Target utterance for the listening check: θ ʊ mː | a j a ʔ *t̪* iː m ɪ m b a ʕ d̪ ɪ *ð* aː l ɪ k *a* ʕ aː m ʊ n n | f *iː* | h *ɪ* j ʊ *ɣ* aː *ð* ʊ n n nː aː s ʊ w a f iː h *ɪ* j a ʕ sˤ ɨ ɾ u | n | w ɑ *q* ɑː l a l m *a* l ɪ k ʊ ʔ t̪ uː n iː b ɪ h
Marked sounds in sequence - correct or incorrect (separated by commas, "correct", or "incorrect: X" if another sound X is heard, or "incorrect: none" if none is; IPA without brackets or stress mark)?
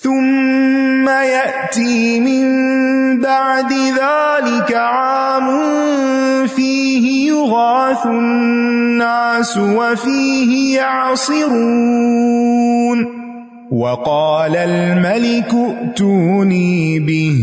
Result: correct, correct, correct, correct, correct, correct, incorrect: θ, correct, correct, correct